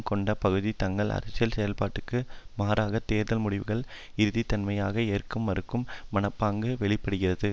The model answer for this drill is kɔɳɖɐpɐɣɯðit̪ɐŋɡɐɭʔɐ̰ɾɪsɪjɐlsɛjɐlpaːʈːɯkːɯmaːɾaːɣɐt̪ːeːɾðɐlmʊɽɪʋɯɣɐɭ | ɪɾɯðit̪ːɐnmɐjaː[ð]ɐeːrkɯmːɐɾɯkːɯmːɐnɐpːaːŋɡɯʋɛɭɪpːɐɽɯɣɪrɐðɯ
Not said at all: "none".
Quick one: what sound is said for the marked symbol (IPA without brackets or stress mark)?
ɣ